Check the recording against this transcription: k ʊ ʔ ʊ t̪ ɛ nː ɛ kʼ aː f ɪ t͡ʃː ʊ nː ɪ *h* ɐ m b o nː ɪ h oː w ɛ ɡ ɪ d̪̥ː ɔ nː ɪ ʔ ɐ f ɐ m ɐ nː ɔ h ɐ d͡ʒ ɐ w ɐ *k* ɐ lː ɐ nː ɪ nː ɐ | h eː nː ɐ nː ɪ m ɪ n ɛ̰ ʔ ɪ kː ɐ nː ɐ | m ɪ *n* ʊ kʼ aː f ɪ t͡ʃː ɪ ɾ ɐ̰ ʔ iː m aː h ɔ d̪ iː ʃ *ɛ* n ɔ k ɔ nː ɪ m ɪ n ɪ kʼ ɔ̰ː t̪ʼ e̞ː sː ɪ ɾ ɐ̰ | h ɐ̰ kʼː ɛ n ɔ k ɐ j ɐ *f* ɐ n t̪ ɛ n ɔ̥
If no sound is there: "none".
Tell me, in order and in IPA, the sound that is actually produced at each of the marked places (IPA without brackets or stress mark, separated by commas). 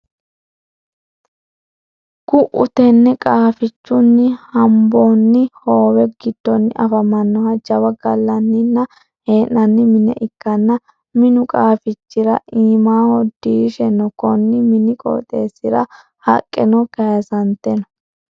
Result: h, ɡ, n, ɛ, s